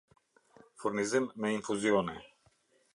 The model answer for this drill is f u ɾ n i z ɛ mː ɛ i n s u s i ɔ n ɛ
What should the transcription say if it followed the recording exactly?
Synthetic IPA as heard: f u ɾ n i z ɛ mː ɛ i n f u z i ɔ n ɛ

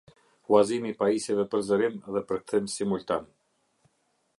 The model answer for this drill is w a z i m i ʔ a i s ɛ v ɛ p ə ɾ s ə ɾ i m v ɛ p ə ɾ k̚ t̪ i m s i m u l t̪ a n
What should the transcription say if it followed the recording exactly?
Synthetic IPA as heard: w a z i m i p a i s ɛ v ɛ p ə ɾ z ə ɾ i m ð ɛ p ə ɾ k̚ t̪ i m s i m u l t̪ a n

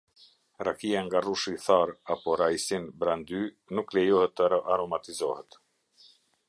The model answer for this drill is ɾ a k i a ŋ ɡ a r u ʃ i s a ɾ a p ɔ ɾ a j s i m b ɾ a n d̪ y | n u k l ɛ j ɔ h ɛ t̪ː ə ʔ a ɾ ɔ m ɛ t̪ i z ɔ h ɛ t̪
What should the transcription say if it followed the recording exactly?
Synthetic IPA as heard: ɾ a k i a ŋ ɡ a r u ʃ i θ a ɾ a p ɔ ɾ a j s i n b ɾ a n d̪ y | n u k l ɛ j ɔ h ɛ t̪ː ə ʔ a ɾ ɔ m a t̪ i z ɔ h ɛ t̪

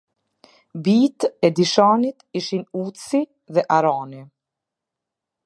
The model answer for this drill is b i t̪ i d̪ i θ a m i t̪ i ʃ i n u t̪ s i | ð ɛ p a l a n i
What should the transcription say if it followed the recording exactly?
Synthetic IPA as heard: b i t̪ ɛ d̪ i ʃ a n i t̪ i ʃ i n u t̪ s i | ð ɛ ʔ a ɾ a n i

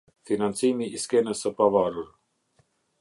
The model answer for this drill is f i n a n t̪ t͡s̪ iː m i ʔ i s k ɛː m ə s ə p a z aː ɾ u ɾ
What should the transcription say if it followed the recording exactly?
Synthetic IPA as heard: f i n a n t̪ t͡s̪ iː m i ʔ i s k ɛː n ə s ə p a v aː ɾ u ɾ

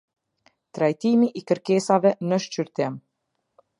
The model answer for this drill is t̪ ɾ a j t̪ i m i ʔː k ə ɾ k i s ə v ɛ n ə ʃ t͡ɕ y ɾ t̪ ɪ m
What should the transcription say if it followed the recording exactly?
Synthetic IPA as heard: t̪ ɾ a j t̪ i m i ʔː k ə ɾ k ɛ s a v ɛ n ə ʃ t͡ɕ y ɾ t̪ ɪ m

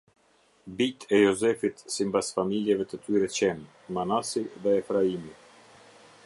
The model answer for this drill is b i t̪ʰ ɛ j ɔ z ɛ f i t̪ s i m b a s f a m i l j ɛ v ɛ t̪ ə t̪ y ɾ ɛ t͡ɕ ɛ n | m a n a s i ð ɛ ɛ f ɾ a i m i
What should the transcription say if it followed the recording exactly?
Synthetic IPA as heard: b i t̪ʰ ɛ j ɔ z ɛ f i t̪ s i m b a s f a m i l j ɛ v ɛ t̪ ə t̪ y ɾ ɛ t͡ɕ ɛ n | m a n a s i ð ɛ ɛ f ɾ a i m i

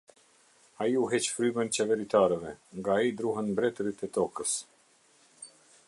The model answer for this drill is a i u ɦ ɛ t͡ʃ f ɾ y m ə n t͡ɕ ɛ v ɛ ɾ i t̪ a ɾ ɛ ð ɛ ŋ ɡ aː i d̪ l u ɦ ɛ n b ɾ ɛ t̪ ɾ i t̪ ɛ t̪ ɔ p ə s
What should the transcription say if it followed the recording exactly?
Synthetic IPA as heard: a i u ɦ ɛ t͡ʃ f ɾ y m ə n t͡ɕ ɛ v ɛ ɾ i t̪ a ɾ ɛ v ɛ ŋ ɡ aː i d̪ ɾ u ɦ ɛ n b ɾ ɛ t̪ ɾ i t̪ ɛ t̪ ɔ k ə s

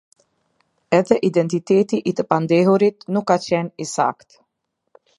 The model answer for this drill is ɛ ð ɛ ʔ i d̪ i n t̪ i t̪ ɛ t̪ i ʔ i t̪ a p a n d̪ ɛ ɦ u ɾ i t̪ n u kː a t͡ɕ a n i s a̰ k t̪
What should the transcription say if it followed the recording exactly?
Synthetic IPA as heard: ɛ ð ɛ ʔ i d̪ ɛ n t̪ i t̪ ɛ t̪ i ʔ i t̪ ə p a n d̪ ɛ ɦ u ɾ i t̪ n u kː a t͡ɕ ɛ n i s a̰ k t̪

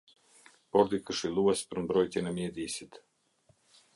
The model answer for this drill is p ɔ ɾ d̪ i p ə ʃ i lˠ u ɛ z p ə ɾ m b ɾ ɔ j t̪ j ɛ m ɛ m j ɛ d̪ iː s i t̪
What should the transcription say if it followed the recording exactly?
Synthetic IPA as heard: p ɔ ɾ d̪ i k ə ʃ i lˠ u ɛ s p ə ɾ m b ɾ ɔ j t̪ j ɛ n ɛ m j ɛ d̪ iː s i t̪

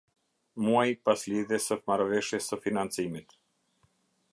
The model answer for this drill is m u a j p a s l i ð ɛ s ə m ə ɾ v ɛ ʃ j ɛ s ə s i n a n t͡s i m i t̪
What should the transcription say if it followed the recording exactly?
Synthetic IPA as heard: m u a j p a s l i ð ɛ s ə m a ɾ v ɛ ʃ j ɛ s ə f i n a n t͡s i m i t̪

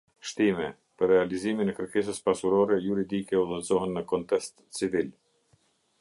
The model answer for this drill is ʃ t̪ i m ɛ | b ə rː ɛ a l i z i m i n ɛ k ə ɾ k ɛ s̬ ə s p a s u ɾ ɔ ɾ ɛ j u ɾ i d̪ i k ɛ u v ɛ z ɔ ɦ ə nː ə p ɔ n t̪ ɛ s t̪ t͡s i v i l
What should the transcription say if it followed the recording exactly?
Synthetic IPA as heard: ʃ t̪ i m ɛ | p ə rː ɛ a l i z i m i n ɛ k ə ɾ k ɛ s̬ ə s p a s u ɾ ɔ ɾ ɛ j u ɾ i d̪ i k ɛ u ð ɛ z ɔ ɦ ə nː ə k ɔ n t̪ ɛ s t̪ t͡s i v i l

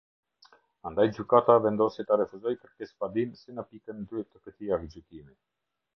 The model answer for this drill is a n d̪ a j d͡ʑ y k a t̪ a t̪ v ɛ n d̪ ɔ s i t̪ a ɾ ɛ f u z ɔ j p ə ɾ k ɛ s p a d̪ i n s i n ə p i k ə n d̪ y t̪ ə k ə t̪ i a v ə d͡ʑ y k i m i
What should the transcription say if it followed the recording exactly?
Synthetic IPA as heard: a n d̪ a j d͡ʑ y k a t̪ a v ɛ n d̪ ɔ s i t̪ a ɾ ɛ f u z ɔ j k ə ɾ k ɛ s p a d̪ i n s i n ə p i k ə n d̪ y t̪ ə k ə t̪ i a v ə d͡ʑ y k i m i

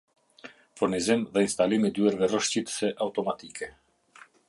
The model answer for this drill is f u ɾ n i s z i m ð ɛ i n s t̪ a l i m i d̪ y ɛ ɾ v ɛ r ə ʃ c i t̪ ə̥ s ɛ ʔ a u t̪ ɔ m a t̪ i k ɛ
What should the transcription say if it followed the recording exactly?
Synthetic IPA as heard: f u ɾ n i z i m ð ɛ i n s t̪ a l i m i d̪ y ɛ ɾ v ɛ r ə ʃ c i t̪ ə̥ s ɛ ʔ a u t̪ ɔ m a t̪ i k ɛ

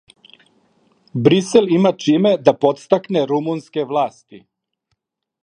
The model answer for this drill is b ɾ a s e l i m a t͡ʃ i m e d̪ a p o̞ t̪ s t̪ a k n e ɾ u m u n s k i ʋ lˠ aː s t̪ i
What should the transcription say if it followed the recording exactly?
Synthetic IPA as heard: b ɾ i s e l i m a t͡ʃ i m e d̪ a p o̞ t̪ s t̪ a k n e ɾ u m u n s k e ʋ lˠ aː s t̪ i

